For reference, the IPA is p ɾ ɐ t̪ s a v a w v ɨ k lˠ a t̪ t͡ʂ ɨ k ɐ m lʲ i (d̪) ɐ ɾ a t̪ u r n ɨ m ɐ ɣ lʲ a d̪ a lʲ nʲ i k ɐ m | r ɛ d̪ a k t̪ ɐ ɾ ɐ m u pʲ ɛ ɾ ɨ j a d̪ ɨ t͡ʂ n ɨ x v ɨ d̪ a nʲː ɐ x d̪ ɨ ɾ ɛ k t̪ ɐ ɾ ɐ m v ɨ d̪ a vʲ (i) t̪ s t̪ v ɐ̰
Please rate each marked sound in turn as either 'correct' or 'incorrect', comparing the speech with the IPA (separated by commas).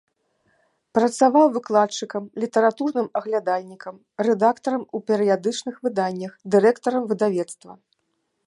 incorrect, incorrect